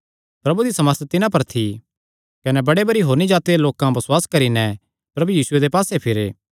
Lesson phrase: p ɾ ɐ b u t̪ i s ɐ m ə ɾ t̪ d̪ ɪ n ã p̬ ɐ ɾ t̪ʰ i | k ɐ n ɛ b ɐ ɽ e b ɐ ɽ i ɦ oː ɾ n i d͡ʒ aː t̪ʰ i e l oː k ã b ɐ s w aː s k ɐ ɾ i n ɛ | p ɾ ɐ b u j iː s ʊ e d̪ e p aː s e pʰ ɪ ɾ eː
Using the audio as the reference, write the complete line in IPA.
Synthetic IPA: p ɾ ɐ b u d̪ i s ɐ m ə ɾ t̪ t̪ ɪ n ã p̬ ɐ ɾ t̪ʰ i | k ɐ n ɛ b ɐ ɽ e b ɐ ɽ i ɦ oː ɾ n i d͡ʒ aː t̪ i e l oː k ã b ɐ s w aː s k ɐ ɾ i n ɛ | p ɾ ɐ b u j iː s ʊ e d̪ e p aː s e pʰ ɪ ɾ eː